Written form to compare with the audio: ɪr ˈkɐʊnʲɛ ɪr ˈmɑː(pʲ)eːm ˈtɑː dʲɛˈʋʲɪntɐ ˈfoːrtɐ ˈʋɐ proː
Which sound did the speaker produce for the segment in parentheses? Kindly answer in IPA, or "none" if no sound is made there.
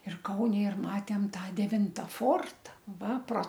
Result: tʲ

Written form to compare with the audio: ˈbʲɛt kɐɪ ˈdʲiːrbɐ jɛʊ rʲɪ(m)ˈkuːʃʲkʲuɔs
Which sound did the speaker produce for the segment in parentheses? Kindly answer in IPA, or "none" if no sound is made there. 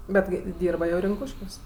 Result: ŋ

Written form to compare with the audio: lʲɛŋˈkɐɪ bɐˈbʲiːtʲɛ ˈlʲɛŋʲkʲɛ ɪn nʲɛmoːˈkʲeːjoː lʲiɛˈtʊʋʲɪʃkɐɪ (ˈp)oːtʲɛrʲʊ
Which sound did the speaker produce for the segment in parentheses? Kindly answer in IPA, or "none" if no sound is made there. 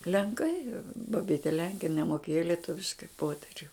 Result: p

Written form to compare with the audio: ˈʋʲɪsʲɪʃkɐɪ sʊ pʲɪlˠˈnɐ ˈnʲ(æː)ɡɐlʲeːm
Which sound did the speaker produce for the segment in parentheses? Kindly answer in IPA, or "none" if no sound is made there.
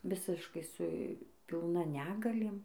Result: æː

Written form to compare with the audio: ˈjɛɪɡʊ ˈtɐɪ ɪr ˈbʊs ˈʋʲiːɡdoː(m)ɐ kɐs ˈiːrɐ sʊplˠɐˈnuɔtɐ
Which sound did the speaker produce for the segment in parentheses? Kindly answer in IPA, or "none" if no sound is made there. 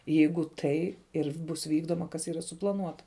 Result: m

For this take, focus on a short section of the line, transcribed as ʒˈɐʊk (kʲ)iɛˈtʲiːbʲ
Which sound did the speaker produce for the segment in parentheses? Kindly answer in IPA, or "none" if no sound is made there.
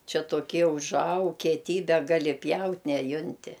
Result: kʲ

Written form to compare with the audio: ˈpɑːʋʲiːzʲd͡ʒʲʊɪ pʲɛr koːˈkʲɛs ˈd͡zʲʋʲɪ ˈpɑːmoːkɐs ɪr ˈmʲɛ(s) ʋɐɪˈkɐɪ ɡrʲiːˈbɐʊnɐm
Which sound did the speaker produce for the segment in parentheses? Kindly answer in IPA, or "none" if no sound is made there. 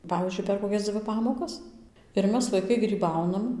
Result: s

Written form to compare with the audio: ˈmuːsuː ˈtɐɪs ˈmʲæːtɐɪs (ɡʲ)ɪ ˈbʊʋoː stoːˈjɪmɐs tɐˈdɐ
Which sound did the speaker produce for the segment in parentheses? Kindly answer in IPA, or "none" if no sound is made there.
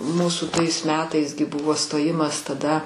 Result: ɡʲ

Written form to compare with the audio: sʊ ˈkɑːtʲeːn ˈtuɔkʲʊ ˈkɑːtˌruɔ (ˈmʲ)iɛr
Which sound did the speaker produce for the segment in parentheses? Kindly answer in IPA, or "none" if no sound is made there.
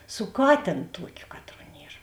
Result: nʲ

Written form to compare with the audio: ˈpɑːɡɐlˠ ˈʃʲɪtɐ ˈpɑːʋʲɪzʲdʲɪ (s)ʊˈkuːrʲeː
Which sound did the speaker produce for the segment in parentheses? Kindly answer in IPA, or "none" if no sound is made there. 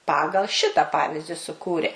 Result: s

